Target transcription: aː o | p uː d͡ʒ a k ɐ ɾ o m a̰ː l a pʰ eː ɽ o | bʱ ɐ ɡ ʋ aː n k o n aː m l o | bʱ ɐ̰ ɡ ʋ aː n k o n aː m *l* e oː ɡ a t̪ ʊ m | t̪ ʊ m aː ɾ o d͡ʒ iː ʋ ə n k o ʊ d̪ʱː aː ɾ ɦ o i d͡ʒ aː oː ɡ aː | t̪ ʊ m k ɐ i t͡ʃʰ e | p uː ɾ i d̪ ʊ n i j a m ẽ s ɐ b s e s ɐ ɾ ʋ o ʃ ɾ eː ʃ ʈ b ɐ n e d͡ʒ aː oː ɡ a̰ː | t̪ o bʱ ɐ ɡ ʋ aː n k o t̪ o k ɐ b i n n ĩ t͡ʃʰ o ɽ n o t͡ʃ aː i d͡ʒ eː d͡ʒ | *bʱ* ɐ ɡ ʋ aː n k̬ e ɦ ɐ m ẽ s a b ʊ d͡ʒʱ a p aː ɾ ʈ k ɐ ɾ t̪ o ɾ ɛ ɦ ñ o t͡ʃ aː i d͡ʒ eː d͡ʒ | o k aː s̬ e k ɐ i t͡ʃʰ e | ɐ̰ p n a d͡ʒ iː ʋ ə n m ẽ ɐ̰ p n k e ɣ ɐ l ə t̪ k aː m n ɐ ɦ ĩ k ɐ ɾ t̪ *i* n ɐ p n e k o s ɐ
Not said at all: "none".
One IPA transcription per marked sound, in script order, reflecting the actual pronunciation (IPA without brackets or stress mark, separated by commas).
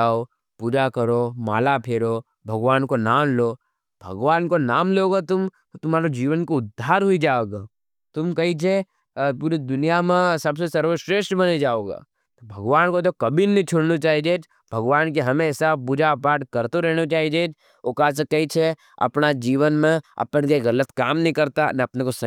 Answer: l, bʱ, a